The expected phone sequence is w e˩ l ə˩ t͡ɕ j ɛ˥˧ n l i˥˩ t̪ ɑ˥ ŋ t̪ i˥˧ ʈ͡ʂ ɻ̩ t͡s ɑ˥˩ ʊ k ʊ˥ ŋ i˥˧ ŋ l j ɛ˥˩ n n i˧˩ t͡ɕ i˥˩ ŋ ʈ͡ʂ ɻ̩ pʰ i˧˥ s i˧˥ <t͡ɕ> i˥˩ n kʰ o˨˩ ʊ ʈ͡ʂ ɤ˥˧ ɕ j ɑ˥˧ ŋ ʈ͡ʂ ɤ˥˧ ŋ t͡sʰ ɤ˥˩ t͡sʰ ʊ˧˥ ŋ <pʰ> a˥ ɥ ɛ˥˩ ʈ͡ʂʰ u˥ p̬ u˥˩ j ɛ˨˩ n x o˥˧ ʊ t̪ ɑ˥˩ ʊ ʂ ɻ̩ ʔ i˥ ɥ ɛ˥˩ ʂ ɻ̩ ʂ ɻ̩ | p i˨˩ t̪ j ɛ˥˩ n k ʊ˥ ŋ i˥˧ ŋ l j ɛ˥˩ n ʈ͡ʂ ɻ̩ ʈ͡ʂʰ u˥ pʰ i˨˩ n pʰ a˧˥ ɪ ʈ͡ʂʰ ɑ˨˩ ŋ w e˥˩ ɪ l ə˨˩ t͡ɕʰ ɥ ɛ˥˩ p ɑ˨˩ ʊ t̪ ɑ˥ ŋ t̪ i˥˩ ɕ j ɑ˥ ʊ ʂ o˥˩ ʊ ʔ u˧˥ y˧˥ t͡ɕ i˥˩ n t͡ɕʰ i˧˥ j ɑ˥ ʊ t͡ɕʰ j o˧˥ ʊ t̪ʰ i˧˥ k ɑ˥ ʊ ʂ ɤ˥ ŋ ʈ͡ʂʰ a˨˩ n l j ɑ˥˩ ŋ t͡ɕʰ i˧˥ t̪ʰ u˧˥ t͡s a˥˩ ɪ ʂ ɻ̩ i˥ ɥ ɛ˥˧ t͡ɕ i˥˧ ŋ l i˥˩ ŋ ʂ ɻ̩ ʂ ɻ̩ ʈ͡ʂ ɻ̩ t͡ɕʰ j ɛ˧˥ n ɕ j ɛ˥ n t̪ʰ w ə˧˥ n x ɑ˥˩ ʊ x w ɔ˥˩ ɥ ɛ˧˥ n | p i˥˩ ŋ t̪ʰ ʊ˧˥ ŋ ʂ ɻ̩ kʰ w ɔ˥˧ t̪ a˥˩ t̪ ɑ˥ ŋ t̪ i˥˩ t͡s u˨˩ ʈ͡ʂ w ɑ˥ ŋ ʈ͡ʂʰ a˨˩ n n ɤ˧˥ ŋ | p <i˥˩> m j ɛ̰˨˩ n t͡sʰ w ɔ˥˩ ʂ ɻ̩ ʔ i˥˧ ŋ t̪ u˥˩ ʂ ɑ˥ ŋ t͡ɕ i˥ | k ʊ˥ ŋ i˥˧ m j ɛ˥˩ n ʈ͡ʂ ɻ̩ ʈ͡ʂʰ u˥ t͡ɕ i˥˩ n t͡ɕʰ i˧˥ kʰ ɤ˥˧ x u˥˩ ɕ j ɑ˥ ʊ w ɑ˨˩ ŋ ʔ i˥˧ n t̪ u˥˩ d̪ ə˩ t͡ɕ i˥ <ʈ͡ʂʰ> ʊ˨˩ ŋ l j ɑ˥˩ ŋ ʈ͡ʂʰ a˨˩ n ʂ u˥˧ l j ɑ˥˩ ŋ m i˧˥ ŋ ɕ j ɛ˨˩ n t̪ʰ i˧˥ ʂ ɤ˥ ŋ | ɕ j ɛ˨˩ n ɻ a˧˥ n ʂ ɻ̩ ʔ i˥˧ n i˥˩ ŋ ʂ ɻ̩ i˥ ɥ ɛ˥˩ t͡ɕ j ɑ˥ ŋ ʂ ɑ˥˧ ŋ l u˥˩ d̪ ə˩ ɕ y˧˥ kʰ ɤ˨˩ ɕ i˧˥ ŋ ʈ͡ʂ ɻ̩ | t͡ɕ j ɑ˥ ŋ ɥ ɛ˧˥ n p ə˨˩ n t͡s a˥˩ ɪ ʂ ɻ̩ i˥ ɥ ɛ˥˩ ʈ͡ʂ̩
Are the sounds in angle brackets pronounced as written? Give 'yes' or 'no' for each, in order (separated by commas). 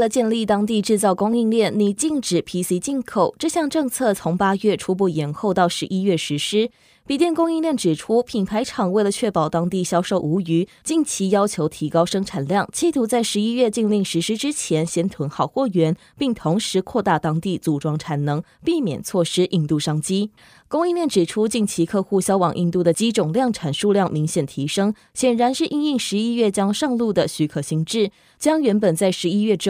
yes, no, yes, no